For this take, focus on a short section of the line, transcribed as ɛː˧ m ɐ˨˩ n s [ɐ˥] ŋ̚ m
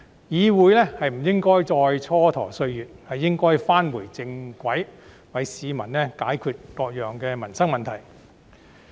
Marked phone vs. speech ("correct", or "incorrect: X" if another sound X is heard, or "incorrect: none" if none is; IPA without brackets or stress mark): correct